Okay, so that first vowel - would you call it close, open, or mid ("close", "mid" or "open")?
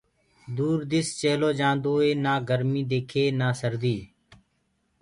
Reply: close